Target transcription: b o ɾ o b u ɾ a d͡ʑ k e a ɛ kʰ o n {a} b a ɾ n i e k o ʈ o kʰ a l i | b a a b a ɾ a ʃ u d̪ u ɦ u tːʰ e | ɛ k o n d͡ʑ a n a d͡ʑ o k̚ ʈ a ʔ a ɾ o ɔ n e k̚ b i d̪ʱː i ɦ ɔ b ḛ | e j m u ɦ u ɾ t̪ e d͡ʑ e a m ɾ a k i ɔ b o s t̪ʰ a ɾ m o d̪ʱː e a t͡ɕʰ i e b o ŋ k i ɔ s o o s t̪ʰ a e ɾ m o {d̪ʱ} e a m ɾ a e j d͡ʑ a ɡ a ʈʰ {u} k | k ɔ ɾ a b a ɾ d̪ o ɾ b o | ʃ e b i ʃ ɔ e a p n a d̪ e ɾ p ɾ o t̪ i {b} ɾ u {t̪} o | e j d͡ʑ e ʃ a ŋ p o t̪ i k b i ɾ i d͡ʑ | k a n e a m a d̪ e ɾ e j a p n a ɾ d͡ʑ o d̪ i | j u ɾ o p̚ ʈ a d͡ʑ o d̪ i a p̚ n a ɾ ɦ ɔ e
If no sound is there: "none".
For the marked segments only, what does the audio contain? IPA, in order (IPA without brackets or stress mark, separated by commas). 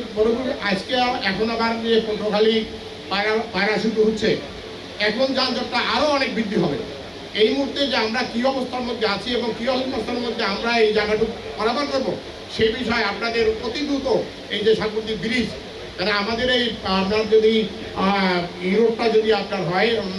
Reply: a, d̪ʱː, u, b, t̪